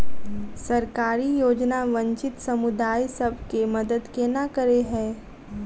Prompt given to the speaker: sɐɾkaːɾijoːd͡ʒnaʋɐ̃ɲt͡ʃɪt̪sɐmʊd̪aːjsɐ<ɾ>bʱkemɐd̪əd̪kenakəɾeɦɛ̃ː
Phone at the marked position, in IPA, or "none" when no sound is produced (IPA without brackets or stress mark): none